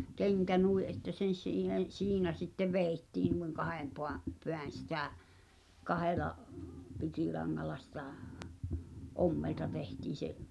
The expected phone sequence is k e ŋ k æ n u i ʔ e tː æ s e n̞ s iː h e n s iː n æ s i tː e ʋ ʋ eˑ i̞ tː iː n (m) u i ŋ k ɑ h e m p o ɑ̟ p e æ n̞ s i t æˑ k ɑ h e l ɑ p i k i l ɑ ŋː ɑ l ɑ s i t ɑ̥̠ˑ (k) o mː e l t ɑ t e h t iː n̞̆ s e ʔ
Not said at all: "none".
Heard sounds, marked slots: n, ʔ

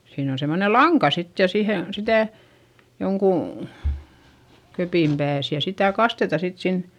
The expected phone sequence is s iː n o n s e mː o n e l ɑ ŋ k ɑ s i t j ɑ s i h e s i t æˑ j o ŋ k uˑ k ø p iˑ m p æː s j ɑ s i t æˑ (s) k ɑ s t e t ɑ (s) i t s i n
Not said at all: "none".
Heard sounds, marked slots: none, s

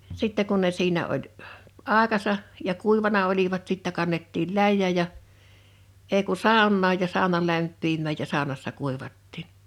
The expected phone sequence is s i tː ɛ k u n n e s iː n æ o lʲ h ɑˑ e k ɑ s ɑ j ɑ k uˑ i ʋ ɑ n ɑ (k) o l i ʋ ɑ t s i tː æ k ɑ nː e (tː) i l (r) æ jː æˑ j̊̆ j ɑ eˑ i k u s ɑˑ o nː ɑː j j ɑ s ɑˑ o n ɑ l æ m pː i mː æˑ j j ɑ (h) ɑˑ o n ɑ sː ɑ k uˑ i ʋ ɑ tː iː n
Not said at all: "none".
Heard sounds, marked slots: none, tː, l, s

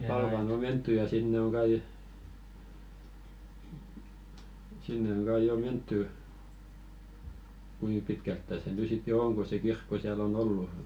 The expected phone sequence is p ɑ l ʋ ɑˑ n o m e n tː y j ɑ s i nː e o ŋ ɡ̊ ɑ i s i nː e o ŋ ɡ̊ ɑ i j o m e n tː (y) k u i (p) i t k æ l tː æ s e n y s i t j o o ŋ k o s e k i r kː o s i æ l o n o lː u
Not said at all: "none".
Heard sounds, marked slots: y, p

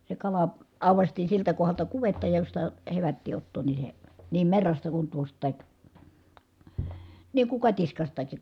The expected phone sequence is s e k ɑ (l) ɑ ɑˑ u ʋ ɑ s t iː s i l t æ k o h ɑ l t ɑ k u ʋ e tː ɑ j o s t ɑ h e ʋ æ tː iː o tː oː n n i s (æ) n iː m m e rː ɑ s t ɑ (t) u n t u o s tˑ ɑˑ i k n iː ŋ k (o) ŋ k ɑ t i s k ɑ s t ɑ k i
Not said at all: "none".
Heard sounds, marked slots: l, e, k, u

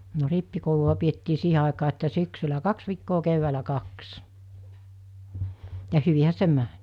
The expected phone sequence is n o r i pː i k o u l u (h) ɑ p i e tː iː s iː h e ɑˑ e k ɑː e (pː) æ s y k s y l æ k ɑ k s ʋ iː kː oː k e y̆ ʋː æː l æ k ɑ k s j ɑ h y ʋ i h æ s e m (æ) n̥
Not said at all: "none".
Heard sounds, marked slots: none, tː, æ

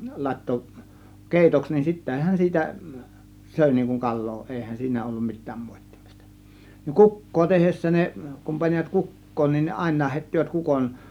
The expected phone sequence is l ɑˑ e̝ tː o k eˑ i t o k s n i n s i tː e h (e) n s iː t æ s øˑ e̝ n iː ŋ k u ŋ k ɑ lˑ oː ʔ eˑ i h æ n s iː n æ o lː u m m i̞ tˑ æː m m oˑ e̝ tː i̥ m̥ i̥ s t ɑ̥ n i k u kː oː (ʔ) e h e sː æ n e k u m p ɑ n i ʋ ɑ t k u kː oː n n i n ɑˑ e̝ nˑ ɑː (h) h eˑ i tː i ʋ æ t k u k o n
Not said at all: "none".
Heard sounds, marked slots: æ, t, h

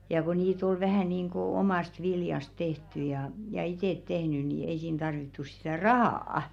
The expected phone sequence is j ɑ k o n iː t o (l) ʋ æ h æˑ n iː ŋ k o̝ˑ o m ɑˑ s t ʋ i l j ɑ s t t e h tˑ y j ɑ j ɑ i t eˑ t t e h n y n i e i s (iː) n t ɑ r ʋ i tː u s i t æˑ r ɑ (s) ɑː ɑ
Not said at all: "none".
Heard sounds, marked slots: l, iː, h

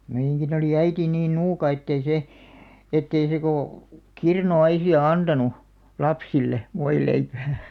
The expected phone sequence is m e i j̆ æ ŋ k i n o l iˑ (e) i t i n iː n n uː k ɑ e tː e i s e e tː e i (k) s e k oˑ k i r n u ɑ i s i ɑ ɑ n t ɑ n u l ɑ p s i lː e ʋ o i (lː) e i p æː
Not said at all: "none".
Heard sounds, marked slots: æ, none, l

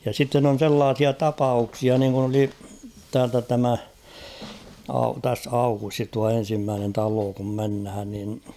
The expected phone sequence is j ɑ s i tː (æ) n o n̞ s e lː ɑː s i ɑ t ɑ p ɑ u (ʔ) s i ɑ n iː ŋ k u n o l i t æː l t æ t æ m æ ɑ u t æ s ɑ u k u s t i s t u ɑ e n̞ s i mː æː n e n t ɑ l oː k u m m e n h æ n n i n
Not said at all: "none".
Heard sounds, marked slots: e, k

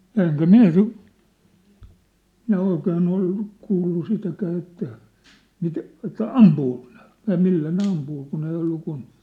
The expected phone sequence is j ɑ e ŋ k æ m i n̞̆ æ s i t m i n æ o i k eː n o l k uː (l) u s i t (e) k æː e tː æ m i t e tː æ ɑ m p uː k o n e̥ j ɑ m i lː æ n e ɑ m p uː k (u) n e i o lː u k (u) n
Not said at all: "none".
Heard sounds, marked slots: lː, æ, u, u

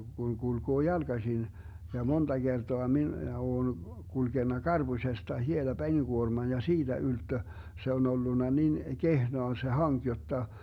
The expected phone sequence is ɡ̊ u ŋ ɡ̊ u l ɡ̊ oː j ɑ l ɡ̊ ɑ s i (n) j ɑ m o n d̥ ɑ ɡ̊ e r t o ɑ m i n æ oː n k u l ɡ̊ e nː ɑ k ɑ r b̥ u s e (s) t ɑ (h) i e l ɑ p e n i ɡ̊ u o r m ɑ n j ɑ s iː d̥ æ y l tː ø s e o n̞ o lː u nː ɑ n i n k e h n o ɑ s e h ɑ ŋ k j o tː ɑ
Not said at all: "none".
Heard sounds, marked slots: n, s, h

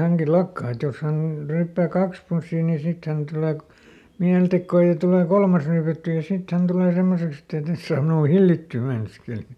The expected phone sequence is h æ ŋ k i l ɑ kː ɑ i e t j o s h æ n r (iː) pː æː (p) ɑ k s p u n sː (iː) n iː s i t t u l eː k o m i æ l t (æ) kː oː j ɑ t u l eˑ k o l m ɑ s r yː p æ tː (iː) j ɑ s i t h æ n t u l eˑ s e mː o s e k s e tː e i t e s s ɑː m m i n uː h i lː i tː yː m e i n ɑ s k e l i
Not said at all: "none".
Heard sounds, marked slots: yː, k, iː, e, yː

